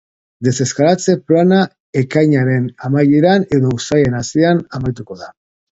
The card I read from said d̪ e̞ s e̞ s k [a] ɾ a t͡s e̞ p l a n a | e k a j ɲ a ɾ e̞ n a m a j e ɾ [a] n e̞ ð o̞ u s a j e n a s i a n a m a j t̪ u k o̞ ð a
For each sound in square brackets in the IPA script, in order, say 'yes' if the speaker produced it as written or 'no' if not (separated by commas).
yes, yes